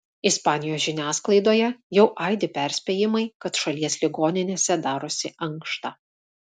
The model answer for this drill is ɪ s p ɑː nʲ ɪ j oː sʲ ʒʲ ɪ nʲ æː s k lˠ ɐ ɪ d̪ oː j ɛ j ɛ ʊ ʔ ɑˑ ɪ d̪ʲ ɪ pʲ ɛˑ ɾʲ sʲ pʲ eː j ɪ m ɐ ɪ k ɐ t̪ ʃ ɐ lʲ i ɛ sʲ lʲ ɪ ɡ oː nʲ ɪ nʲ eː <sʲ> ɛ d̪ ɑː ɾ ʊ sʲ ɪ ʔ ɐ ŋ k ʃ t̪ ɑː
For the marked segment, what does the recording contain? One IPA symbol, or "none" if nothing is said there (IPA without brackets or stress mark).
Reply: sʲ